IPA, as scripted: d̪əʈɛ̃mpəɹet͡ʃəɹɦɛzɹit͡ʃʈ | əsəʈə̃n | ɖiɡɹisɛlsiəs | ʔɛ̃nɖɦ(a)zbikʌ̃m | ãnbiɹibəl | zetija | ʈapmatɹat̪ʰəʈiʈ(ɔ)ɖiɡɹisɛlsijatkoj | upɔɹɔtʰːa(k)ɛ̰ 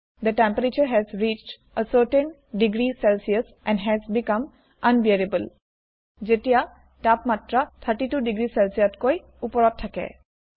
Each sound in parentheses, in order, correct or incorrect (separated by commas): incorrect, incorrect, correct